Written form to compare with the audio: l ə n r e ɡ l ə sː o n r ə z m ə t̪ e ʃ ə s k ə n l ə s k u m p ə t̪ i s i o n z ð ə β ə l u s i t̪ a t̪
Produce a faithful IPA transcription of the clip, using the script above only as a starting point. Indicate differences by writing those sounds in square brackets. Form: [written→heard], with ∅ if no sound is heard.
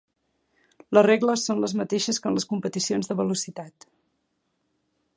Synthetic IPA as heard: l ə [n→∅] r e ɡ l ə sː o n [r→l] ə z m ə t̪ e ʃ ə s k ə n l ə s k u m p ə t̪ i s i o n z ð ə β ə l u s i t̪ a t̪